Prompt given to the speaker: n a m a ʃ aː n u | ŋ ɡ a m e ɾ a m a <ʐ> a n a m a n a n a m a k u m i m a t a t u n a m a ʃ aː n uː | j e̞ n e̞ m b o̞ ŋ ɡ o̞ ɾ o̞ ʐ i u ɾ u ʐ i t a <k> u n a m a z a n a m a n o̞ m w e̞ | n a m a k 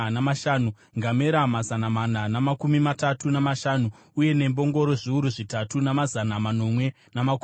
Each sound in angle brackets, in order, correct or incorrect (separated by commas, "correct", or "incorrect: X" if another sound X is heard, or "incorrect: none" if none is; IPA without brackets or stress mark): incorrect: z, incorrect: t